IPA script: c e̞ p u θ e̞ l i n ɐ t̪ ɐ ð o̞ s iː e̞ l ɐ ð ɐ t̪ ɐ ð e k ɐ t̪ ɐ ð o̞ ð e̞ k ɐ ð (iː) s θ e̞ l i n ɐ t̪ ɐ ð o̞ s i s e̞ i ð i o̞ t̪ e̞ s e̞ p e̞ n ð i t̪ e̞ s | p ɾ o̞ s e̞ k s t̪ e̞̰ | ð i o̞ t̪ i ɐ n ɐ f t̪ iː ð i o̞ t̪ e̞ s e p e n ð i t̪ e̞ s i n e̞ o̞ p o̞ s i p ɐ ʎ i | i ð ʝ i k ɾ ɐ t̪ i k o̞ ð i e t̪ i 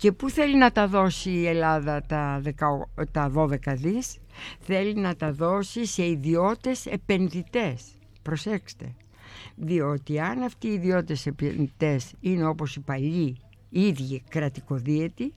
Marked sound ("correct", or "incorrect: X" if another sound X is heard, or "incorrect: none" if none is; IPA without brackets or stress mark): incorrect: i